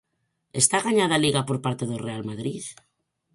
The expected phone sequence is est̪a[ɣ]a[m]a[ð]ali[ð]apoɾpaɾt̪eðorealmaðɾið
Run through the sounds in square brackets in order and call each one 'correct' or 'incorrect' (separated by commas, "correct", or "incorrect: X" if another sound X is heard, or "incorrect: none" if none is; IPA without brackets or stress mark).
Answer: correct, incorrect: ɲ, correct, incorrect: ɣ